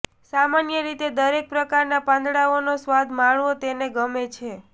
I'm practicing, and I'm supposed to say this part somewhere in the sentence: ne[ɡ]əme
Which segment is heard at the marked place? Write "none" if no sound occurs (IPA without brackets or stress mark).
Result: ɡ